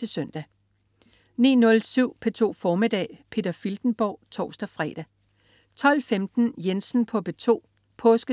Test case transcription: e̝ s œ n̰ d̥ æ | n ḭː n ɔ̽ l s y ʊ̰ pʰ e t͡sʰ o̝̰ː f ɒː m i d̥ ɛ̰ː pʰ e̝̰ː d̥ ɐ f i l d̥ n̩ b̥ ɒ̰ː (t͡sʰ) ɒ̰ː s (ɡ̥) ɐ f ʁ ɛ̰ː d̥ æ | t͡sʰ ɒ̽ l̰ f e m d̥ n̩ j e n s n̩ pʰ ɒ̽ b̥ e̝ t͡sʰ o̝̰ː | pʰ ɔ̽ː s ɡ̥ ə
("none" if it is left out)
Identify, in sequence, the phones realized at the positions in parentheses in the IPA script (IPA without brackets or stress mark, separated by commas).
t͡sʰ, d̥